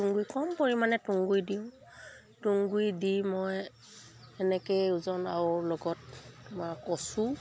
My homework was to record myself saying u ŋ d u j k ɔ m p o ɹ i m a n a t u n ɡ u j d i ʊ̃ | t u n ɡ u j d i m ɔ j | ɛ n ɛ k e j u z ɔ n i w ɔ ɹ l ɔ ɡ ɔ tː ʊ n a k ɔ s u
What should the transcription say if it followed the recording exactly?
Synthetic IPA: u ŋ ɡ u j k ɔ m p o ɹ i m a n ɛ t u ŋ ɡ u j d i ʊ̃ | t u ŋ ɡ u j d i m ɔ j | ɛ n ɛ k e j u z ɔ n a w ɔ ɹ l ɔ ɡ ɔ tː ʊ m a k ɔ s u